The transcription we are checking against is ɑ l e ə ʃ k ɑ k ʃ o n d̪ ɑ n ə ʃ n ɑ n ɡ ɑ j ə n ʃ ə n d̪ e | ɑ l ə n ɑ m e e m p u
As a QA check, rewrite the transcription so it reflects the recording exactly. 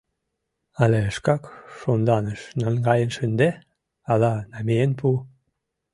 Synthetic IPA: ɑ l e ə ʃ k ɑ k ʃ o n d̪ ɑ n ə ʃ n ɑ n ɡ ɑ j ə n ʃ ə n d̪ e | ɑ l ɑ n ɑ m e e n p u